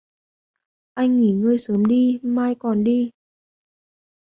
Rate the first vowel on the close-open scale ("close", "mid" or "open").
open